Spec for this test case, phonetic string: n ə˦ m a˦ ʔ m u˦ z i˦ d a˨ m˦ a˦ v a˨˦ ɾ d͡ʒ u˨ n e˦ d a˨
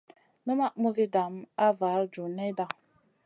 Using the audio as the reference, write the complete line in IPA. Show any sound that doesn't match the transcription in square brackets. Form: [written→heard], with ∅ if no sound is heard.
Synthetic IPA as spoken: n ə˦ m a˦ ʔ m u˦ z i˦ d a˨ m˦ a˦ v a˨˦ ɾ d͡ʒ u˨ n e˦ d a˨